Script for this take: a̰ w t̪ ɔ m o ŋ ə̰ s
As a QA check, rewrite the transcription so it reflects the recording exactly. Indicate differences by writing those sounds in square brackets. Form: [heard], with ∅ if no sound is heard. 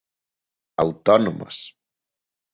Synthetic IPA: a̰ w t̪ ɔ [n] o [m] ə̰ s